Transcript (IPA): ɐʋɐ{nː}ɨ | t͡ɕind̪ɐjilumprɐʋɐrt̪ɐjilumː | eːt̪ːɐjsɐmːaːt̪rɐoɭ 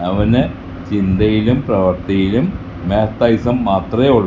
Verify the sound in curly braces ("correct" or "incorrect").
incorrect